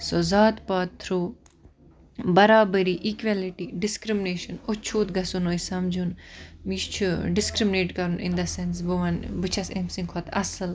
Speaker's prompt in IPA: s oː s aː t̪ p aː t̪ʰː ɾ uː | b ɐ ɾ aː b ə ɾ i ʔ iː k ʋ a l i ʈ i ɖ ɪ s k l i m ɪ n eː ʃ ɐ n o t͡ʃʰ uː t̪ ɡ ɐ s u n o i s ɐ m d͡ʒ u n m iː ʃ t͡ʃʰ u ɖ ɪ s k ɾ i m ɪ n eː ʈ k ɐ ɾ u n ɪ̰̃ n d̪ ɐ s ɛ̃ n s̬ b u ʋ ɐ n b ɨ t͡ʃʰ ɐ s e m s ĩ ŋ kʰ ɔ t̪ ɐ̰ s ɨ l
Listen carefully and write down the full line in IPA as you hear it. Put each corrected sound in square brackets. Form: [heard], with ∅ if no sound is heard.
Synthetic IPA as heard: s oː [z] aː t̪ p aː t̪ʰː ɾ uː | b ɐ ɾ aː b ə ɾ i ʔ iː k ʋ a l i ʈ i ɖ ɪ s k [ɾ] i m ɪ n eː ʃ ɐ n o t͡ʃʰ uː t̪ ɡ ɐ s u n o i s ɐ m d͡ʒ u n m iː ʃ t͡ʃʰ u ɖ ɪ s k ɾ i m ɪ n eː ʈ k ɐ ɾ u n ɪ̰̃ n d̪ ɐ s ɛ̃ n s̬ b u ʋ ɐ n b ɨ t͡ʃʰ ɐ s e m s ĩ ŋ kʰ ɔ t̪ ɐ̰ s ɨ l